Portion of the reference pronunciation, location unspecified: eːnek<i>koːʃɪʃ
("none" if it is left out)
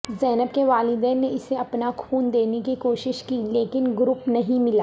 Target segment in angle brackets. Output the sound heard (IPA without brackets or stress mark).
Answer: i